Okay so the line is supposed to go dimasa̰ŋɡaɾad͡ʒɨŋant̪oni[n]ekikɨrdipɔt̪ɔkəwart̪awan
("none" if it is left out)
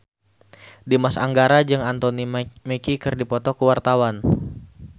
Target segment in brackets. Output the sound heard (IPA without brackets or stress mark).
m